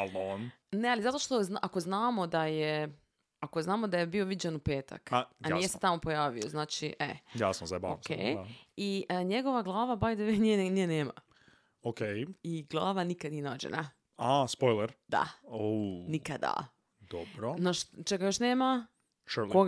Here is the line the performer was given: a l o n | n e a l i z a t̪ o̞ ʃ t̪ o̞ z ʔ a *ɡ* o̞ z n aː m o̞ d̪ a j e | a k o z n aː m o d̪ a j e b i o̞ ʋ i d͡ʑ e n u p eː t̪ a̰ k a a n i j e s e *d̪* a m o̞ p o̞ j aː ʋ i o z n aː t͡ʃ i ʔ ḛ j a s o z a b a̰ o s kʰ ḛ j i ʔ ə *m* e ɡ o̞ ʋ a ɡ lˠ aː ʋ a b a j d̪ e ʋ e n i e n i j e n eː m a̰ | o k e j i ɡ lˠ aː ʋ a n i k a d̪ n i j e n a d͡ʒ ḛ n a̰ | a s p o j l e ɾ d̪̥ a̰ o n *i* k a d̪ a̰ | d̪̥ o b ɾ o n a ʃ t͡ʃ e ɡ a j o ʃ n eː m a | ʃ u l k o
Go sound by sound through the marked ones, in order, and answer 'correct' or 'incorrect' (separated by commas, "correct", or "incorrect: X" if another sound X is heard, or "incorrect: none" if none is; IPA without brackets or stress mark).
incorrect: k, incorrect: t̪, incorrect: ɲ, correct